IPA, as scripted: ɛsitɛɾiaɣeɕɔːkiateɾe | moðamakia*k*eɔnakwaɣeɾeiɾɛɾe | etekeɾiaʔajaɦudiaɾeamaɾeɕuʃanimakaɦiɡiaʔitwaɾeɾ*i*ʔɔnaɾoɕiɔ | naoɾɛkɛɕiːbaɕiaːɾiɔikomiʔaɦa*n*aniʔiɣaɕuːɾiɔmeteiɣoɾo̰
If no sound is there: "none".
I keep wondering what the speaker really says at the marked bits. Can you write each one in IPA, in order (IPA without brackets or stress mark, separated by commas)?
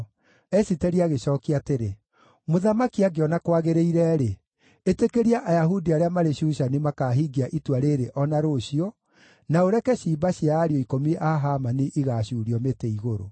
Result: ɡ, e, m